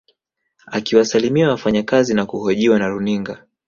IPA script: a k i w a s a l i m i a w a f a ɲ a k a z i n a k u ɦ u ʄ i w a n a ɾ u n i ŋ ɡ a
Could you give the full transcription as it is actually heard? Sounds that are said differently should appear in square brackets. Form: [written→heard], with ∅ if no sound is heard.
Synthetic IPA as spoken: a k i w a s a l i m i a w a f a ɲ a k a z i n a k u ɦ [u→ɔ] ʄ i w a n a ɾ u n i ŋ ɡ a